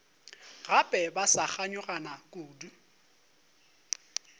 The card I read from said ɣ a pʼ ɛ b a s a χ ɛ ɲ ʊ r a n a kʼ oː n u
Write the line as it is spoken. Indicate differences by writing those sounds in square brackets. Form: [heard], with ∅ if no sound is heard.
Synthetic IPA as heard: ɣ a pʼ ɛ b a s a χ [a] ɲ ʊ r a n a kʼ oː [d] u